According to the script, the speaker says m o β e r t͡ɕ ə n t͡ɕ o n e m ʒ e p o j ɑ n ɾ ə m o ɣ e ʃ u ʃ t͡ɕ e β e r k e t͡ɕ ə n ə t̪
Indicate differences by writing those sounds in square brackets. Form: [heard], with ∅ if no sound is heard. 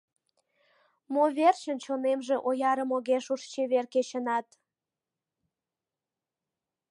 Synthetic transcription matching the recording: m o β e r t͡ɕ ə n t͡ɕ o n e m ʒ e [ʔ] o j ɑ [∅] ɾ ə m o ɣ e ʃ u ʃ t͡ɕ e β e r k e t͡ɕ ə n [ɑ] t̪